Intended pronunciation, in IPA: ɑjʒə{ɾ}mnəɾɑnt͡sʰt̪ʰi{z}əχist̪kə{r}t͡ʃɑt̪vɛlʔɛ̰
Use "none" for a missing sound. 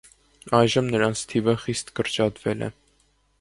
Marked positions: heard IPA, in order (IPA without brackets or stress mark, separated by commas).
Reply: none, v, ɾ